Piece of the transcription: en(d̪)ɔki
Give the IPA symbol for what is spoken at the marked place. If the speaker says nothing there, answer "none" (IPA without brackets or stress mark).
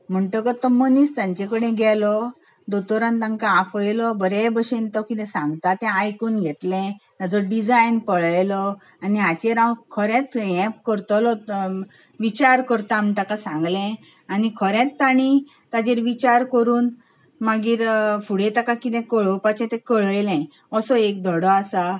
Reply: t̪